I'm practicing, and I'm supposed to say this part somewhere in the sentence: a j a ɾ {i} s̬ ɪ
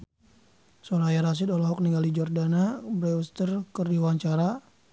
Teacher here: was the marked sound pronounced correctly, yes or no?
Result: no